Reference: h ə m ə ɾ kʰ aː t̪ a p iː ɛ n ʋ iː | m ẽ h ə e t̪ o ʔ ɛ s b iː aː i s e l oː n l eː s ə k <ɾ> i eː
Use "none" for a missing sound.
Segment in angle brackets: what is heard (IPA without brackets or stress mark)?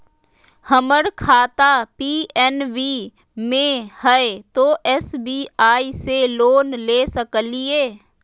l